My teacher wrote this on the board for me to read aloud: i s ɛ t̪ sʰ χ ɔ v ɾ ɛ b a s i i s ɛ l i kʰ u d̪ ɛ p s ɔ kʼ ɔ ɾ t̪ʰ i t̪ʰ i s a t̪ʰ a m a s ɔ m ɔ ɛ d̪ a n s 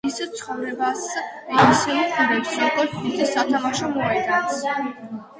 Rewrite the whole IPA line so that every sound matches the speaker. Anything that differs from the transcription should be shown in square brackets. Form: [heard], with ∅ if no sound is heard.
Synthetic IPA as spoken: i s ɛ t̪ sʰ χ ɔ v ɾ ɛ b a s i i s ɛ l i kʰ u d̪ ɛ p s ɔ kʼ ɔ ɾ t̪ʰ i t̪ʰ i s a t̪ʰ a m a [ʃ] ɔ m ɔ ɛ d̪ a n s